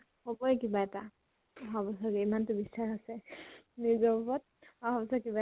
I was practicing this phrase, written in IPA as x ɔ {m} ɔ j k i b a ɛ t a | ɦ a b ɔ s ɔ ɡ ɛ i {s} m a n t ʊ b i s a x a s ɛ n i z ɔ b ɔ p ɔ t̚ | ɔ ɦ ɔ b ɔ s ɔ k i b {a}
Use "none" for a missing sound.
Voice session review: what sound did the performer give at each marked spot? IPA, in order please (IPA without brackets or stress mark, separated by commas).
b, none, a